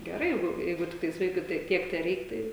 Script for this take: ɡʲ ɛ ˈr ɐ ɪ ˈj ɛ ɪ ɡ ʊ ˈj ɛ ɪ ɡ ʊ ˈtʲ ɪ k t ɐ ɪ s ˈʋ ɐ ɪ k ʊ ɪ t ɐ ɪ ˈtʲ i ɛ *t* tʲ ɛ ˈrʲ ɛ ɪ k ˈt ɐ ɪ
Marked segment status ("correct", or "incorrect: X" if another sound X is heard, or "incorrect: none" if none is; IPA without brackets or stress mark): incorrect: k